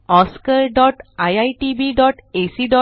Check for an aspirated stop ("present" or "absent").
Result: absent